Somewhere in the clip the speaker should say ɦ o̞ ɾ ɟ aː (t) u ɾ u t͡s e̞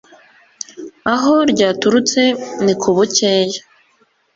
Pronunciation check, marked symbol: correct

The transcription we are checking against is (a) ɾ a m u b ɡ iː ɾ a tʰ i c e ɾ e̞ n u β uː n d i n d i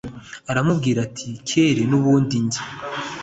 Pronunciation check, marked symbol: correct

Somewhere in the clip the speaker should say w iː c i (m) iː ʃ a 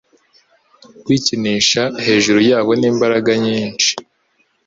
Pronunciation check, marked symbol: incorrect: n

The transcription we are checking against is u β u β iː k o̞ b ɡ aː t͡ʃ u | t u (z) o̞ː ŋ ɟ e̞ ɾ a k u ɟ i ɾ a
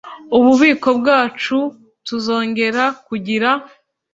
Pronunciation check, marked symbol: correct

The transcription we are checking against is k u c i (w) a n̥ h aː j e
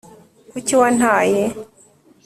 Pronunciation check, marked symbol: correct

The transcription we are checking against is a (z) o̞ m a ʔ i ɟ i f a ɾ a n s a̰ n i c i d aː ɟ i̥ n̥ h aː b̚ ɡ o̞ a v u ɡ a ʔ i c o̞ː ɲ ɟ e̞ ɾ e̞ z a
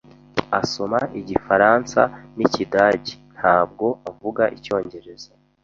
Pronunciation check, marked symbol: incorrect: s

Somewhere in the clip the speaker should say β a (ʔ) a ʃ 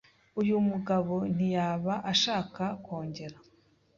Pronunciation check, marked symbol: correct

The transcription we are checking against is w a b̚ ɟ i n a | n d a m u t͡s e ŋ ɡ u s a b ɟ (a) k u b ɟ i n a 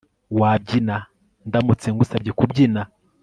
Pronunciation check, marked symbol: incorrect: e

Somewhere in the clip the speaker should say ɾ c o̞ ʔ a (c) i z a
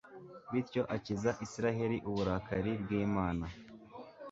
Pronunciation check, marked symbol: correct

